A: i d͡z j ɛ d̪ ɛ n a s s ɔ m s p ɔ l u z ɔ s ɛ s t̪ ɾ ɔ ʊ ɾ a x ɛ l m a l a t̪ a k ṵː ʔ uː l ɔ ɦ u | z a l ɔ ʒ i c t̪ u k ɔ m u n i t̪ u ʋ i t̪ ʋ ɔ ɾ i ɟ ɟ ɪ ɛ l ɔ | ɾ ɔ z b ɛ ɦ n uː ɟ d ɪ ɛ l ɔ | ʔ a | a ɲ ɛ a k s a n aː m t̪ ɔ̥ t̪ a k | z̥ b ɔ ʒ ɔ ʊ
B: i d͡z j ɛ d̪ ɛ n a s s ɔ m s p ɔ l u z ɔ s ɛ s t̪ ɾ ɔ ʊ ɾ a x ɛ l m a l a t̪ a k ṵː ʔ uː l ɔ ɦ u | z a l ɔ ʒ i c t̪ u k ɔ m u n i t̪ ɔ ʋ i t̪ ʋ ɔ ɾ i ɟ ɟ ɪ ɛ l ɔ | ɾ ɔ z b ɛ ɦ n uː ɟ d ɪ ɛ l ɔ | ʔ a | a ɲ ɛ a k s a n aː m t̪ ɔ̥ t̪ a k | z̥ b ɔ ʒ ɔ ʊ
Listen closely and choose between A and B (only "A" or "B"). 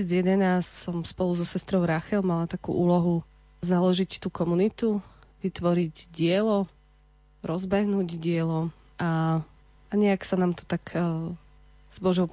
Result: A